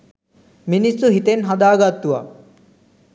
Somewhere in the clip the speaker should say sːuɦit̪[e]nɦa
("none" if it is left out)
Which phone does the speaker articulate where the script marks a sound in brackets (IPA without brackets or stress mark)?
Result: e